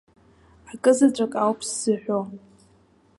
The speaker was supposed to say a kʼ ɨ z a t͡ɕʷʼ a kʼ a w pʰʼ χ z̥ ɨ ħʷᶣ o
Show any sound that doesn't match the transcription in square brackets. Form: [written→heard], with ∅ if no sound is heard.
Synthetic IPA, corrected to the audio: a kʼ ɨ z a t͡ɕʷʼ a kʼ a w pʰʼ [χ→s] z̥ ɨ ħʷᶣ o